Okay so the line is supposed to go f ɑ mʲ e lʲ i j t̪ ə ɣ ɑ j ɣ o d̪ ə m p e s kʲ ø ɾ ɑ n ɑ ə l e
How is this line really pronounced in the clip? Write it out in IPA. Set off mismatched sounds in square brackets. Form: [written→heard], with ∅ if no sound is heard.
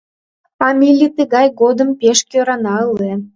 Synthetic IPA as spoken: f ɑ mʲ [e→i] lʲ i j t̪ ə ɣ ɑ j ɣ o d̪ ə m p e [s→ʃ] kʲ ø ɾ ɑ n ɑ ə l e